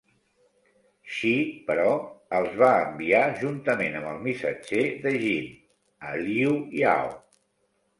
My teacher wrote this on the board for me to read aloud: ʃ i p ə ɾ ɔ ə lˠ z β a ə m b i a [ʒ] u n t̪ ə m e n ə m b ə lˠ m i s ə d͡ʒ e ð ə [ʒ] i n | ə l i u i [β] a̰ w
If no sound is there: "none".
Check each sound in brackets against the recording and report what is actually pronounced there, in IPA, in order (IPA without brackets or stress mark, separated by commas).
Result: ʒ, ʒ, none